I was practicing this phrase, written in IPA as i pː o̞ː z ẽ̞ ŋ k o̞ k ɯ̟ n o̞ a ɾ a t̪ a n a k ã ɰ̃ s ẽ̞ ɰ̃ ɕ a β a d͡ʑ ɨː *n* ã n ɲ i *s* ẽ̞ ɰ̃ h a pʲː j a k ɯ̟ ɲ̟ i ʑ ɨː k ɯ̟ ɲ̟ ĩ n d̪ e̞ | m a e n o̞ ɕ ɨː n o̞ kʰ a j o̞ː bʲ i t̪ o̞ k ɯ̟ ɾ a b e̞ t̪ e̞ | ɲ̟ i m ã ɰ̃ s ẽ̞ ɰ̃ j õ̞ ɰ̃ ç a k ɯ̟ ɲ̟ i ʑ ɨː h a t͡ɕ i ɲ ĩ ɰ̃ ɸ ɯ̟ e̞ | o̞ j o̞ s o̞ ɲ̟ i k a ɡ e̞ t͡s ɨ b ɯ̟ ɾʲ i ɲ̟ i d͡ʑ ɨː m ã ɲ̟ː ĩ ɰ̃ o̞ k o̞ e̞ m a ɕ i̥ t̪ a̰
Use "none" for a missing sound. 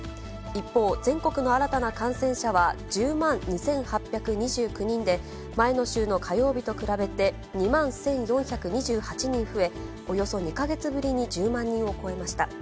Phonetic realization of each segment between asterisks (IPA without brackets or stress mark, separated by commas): m, s